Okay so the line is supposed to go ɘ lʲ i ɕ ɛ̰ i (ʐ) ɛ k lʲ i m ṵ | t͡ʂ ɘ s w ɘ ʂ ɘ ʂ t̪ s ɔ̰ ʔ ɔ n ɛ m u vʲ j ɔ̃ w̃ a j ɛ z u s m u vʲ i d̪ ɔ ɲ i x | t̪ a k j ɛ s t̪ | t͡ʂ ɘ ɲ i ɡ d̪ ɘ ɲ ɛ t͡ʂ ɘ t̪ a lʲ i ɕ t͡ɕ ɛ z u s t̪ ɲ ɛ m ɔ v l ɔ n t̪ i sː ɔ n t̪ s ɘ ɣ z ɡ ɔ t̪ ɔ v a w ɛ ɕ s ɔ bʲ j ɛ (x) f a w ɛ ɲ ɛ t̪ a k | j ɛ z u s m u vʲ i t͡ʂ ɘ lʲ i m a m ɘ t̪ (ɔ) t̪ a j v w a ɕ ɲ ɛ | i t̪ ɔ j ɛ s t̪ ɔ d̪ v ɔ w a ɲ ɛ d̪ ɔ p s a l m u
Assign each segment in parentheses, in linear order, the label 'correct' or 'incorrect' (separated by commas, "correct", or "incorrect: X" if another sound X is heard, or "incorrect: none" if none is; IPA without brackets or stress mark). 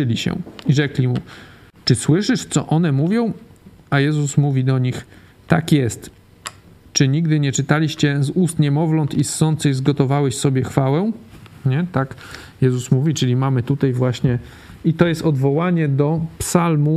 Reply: correct, correct, incorrect: u